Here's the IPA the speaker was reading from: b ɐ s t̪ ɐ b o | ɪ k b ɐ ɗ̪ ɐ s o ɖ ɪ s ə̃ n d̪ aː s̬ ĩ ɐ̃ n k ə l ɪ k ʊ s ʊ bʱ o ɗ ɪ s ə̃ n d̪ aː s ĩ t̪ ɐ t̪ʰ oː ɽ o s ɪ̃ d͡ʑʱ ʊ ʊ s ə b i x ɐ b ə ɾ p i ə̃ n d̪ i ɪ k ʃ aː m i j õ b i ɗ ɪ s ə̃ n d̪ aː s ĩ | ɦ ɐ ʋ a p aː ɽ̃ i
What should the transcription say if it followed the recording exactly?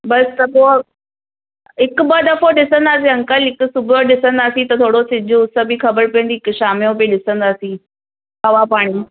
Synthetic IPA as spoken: b ɐ s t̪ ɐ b o | ɪ k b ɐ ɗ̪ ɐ f o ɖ ɪ s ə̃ n d̪ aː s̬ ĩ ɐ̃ ŋ k ə l ɪ k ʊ s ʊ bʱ o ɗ ɪ s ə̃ n d̪ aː s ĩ t̪ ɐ t̪ʰ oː ɽ o s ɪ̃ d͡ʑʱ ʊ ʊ s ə b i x ɐ b ə ɾ p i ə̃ n d̪ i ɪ k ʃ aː m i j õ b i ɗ ɪ s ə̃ n d̪ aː s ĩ | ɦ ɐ ʋ a p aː ɽ̃ i